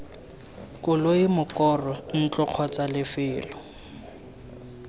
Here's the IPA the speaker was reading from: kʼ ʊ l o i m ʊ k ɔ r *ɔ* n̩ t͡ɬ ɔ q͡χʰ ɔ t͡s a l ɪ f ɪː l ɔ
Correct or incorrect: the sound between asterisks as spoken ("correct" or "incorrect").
correct